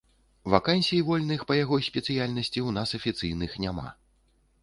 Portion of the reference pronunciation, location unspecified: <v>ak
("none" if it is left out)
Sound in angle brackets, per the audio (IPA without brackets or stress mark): v